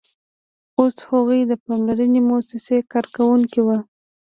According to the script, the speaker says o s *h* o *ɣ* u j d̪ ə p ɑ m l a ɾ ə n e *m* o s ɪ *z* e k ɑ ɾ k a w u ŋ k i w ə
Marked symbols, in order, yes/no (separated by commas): yes, yes, yes, no